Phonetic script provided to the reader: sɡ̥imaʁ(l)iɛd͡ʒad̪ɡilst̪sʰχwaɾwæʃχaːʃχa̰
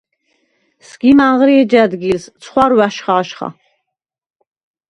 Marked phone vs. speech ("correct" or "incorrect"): incorrect